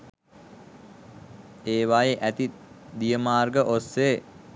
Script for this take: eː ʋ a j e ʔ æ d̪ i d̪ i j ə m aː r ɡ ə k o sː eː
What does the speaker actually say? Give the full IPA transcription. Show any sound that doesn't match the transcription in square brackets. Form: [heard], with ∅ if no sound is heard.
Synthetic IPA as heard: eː ʋ a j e ʔ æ [t̪] i d̪ i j ə m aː r ɡ ə [ʔ] o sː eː

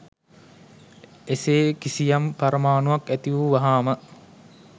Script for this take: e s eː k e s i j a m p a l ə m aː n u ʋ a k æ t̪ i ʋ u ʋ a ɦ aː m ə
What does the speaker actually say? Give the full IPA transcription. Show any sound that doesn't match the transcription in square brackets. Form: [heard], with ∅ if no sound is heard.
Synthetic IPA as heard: e s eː k [i] s i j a m p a [ɾ] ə m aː n u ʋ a k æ t̪ i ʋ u ʋ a ɦ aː m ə

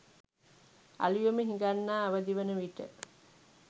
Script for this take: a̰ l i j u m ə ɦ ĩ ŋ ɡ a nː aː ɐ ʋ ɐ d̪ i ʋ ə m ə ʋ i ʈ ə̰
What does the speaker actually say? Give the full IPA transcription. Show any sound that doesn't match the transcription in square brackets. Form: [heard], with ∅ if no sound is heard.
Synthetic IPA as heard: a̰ l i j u m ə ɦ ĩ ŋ ɡ a nː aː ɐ ʋ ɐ d̪ i ʋ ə [n] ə ʋ i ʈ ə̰

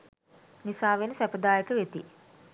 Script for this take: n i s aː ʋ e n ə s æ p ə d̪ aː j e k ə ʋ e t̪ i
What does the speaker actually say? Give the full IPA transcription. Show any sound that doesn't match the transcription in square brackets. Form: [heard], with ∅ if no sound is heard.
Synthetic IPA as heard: n i s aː ʋ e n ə s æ p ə d̪ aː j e k ə ʋ e t̪ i

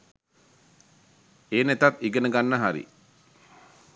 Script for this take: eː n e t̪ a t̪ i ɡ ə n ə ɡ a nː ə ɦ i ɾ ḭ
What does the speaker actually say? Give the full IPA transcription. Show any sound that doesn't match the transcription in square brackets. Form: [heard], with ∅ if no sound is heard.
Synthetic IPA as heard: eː n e t̪ a t̪ i ɡ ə n ə ɡ a nː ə ɦ [a] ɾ ḭ

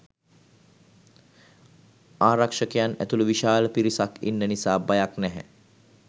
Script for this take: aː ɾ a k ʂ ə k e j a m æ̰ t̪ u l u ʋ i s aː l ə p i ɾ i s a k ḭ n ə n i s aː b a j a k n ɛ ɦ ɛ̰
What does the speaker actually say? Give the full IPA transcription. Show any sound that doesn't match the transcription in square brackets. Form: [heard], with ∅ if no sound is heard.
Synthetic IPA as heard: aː ɾ a k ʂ ə k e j a [n] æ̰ t̪ u l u ʋ i [ʃ] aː l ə p i ɾ i s a k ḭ [nː] ə n i s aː b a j a k n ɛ ɦ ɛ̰

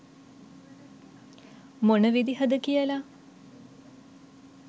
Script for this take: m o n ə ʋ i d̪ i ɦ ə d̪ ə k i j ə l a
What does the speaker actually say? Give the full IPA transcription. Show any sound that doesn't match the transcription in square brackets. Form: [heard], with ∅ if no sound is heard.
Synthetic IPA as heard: m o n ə ʋ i d̪ i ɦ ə d̪ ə k i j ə l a

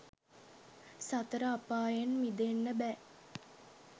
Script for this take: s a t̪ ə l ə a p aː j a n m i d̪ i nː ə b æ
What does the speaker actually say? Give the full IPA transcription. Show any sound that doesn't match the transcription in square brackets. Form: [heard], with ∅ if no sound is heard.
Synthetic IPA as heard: s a t̪ ə [ɾ] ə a p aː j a n m i d̪ [e] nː ə b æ

